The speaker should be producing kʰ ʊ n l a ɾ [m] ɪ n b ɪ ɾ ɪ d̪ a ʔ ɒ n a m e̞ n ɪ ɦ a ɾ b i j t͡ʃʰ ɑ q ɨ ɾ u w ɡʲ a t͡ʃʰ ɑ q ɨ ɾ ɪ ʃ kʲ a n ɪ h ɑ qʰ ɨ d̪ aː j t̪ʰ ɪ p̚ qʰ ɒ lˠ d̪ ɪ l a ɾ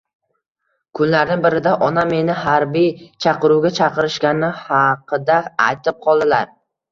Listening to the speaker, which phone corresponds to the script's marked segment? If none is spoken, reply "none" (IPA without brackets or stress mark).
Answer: n